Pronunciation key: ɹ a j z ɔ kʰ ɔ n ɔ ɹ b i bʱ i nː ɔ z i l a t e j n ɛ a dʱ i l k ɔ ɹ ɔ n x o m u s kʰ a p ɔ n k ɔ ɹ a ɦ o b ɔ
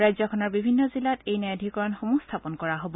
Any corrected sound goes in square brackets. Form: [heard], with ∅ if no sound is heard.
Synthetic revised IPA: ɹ a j z ɔ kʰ ɔ n ɔ ɹ b i bʱ i nː ɔ z i l a t e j n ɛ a dʱ i [∅] k ɔ ɹ ɔ n x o m u s [tʰ] a p ɔ n k ɔ ɹ a ɦ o b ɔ